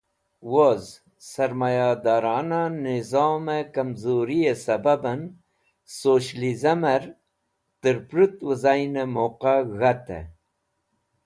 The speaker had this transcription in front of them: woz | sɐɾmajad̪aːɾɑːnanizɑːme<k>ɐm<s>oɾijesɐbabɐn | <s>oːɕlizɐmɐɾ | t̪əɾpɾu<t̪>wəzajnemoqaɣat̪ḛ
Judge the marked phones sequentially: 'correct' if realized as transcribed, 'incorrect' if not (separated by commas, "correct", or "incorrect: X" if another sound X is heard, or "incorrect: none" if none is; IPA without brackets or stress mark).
correct, incorrect: z, correct, correct